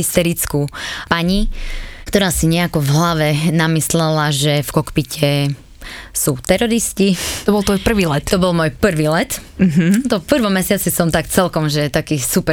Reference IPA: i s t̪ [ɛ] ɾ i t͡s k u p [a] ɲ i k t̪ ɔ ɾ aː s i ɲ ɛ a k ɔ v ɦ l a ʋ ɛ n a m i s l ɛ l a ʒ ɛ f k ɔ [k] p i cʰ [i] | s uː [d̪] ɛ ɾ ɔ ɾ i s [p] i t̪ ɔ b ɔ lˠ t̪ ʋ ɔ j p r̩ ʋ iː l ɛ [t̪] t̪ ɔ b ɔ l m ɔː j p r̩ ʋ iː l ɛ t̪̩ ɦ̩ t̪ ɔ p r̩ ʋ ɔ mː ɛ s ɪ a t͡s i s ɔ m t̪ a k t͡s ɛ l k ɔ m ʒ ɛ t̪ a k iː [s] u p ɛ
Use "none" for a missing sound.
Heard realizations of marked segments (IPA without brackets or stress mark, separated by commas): ɛ, a, k, ɛ, t̪, c, t̪, s